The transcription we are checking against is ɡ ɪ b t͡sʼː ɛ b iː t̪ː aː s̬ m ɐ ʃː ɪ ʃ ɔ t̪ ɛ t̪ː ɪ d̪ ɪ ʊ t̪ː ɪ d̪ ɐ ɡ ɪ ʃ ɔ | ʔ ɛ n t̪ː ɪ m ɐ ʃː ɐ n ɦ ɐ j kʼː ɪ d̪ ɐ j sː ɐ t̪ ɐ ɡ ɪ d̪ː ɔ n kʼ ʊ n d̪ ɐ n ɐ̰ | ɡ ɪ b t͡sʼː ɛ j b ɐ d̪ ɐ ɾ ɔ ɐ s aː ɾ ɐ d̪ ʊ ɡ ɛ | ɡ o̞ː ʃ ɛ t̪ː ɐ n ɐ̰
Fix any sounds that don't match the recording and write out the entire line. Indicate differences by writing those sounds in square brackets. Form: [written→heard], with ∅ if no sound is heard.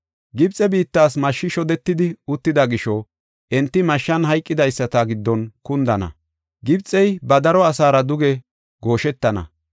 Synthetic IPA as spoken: ɡ ɪ b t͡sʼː ɛ b iː t̪ː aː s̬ m ɐ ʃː ɪ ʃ ɔ [t̪→d̪] ɛ t̪ː ɪ d̪ ɪ ʊ t̪ː ɪ d̪ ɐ ɡ ɪ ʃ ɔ | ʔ ɛ n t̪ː ɪ m ɐ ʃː ɐ n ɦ ɐ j kʼː ɪ d̪ ɐ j sː ɐ t̪ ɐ ɡ ɪ d̪ː ɔ n [kʼ→k] ʊ n d̪ ɐ n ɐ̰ | ɡ ɪ b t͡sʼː ɛ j b ɐ d̪ ɐ ɾ ɔ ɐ s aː ɾ ɐ d̪ ʊ ɡ ɛ | ɡ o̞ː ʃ ɛ t̪ː ɐ n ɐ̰